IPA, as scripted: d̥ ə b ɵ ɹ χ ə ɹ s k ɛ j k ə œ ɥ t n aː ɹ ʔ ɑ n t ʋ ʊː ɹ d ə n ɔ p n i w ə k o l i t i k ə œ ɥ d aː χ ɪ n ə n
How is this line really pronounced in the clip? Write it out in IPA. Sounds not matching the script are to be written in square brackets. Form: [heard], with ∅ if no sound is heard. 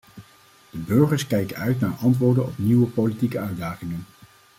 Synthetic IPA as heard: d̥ ə b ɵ ɹ χ ə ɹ s k ɛ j k ə œ ɥ t n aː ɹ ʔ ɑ n t ʋ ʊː ɹ d ə n ɔ p n i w ə [p] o l i t i k ə œ ɥ d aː χ ɪ [ŋ] ə n